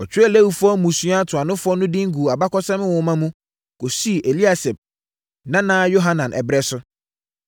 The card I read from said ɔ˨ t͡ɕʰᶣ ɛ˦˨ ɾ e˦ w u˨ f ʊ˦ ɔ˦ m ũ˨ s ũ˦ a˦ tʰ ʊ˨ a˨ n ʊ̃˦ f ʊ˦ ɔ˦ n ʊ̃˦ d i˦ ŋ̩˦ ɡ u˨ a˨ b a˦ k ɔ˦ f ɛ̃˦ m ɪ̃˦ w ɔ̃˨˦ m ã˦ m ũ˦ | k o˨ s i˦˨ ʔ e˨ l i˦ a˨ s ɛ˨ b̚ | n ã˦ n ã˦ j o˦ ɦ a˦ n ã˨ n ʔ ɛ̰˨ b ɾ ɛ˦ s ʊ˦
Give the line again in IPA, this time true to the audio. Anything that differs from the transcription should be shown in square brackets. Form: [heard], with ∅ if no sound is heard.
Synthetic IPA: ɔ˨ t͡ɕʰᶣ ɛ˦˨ [l] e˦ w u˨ f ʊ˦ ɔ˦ m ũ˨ s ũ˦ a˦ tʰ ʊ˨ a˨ n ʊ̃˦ f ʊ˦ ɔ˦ n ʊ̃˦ d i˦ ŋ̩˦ ɡ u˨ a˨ b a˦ k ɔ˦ [s] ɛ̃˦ m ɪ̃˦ w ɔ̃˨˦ m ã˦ m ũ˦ | k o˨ s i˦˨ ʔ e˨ l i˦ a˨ s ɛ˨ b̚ | n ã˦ n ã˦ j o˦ ɦ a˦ n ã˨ n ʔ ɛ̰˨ b ɾ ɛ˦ s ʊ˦